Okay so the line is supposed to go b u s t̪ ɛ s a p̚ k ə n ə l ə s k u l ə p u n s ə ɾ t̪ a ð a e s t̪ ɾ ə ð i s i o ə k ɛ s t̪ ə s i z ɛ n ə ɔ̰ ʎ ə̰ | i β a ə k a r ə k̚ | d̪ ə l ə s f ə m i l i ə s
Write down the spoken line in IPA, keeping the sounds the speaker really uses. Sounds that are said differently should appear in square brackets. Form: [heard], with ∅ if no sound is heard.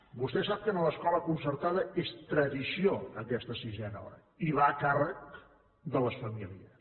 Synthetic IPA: b u s t̪ ɛ s a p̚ k ə n ə l ə s k [ɔ] l ə [k] u n s ə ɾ t̪ a ð [ə] e s t̪ ɾ ə ð i s i o ə k ɛ s t̪ ə s i z ɛ n ə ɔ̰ [ɾ] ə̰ | i β a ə k a r ə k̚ | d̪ ə l ə s f ə m i l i ə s

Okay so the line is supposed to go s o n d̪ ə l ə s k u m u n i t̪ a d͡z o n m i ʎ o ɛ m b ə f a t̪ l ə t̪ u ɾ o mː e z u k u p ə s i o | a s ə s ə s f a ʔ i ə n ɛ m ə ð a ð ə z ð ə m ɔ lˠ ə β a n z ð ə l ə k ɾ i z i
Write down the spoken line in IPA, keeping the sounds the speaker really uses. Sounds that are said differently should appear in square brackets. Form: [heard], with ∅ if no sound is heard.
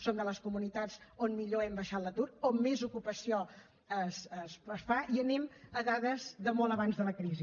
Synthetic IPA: s o n d̪ ə l ə s k u m u n i t̪ a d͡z o n m i ʎ o ɛ m b ə [ʃ] a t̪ l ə t̪ u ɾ o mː e z u k u p ə s i o | [ə] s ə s ə s f a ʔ i ə n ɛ m ə ð a ð ə z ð ə m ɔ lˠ ə β a n z ð ə l ə k ɾ i z i

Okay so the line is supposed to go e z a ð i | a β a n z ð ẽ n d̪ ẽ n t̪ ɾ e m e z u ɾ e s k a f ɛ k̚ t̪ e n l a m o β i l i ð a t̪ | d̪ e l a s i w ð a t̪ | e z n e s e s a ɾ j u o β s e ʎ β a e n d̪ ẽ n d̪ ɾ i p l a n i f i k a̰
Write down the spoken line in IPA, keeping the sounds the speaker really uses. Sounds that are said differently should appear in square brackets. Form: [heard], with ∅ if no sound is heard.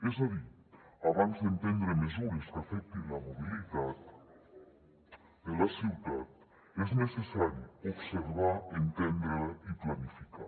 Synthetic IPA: e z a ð i | a β a n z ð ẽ n [t̪] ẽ n [d̪] ɾ e m e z u ɾ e s k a f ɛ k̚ t̪ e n l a m o β i l i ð a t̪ | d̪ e l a s i w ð a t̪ | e z n e s e s a ɾ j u o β s e [ɾ] β a e n [t̪] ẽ n d̪ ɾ i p l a n i f i k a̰

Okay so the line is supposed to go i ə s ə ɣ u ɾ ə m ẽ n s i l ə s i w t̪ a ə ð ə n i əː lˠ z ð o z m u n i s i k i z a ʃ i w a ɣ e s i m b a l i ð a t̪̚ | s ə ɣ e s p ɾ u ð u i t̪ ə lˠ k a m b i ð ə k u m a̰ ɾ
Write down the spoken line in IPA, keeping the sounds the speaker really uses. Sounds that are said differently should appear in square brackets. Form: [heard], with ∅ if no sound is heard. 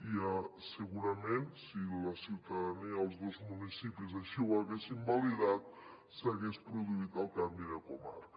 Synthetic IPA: i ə s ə ɣ u ɾ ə m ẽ n s i l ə s i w t̪ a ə ð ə n i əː lˠ z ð o z m u n i s i [p] i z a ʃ i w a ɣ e s i m b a l i ð a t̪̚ | s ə ɣ e s p ɾ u ð u i t̪ ə lˠ k a m b i ð ə k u m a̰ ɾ

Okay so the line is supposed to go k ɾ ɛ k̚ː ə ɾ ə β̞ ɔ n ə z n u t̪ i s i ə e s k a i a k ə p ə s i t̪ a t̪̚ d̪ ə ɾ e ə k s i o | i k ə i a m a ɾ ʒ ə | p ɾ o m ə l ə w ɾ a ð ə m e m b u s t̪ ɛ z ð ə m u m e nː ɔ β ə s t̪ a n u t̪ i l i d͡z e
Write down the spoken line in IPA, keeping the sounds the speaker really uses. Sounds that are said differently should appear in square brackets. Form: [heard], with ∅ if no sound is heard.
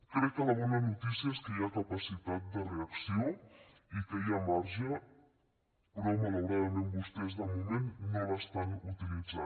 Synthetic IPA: k ɾ ɛ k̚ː ə [l] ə β̞ ɔ n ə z n u t̪ i s i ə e s k [ə] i a k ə p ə s i t̪ a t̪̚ d̪ ə [r] e ə k s i o | i k ə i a m a ɾ ʒ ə | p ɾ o m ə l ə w ɾ a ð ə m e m b u s t̪ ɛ z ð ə m u m e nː [o] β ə s t̪ a n u t̪ i l i d͡z [a]

